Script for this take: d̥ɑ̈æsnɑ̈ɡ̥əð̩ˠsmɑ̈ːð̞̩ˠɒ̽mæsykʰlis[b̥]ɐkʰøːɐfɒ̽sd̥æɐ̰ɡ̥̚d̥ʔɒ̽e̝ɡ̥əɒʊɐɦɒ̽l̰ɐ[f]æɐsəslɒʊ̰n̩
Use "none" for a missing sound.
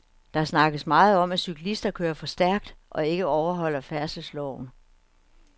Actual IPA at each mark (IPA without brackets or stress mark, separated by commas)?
d̥, f